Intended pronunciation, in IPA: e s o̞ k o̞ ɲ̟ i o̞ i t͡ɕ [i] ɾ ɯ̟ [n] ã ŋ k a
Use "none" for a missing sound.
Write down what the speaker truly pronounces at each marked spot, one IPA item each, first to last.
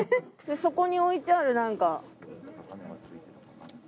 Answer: a, n

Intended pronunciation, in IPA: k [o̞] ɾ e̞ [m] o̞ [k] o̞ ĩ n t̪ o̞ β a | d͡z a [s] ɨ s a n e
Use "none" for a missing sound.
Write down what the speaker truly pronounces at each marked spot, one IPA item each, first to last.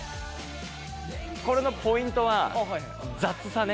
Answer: o̞, n, p, t͡s

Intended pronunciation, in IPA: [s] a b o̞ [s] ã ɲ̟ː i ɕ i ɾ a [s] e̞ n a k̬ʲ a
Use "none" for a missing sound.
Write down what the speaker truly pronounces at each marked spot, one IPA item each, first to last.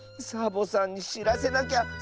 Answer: s, s, s

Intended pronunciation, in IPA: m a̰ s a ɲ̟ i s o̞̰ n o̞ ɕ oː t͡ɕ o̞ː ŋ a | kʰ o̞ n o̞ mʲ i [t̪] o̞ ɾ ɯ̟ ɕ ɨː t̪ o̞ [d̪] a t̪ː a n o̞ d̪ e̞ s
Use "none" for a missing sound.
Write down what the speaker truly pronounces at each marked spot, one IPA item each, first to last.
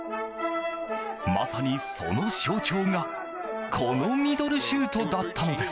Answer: d̪, d̪

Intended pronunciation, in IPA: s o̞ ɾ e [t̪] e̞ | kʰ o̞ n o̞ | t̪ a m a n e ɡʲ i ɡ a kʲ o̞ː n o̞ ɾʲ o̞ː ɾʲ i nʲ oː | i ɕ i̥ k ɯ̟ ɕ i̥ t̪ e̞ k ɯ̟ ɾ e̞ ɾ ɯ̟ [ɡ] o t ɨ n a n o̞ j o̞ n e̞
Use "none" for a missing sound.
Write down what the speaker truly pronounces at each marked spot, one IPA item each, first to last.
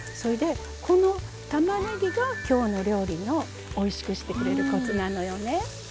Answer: d̪, k

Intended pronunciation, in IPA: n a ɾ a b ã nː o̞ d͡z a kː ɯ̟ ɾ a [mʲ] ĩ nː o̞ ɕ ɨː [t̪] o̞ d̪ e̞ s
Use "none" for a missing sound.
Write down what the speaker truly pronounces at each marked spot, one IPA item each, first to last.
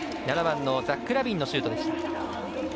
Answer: bʲ, t̪

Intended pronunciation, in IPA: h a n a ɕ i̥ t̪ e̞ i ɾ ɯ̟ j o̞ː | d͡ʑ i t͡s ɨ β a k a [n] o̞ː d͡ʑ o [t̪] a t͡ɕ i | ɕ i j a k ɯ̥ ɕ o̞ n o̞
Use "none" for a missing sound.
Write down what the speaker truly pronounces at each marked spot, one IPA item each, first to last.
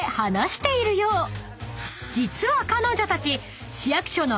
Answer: n, t̪

